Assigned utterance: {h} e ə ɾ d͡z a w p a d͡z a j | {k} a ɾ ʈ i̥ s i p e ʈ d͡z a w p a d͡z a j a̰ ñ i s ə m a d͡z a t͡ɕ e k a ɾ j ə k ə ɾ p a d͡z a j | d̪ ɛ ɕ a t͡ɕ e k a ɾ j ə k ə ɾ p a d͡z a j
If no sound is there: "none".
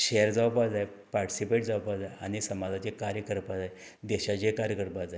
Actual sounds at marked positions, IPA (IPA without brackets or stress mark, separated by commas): ɕ, p